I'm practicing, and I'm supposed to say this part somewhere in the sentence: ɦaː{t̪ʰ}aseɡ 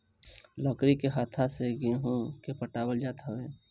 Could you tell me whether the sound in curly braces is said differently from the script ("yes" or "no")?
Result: no